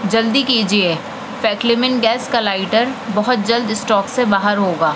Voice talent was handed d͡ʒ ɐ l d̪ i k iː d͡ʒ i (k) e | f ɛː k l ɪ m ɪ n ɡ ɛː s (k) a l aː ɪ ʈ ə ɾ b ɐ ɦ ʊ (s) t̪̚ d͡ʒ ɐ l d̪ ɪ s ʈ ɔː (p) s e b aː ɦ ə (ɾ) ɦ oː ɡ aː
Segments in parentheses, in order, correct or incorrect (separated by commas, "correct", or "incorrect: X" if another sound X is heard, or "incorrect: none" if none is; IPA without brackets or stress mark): incorrect: none, correct, incorrect: none, incorrect: k, correct